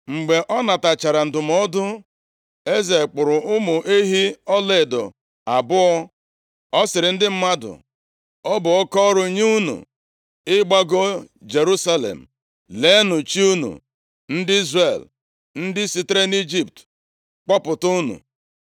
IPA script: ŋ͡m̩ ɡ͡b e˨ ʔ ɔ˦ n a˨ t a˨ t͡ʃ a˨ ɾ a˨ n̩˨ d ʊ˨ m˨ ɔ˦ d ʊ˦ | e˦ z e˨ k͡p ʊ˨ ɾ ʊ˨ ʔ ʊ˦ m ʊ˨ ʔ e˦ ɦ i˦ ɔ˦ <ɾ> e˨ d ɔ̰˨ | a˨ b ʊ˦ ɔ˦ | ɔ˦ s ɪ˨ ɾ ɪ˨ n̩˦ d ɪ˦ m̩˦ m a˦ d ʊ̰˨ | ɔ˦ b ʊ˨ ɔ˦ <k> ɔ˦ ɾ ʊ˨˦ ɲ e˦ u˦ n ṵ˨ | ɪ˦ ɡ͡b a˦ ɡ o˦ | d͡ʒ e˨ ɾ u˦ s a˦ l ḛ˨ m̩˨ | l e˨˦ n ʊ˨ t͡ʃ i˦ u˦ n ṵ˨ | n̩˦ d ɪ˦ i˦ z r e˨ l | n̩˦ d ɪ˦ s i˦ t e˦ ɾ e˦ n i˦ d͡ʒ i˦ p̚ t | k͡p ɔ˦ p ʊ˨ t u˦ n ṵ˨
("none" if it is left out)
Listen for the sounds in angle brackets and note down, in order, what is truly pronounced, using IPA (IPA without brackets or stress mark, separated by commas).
l, k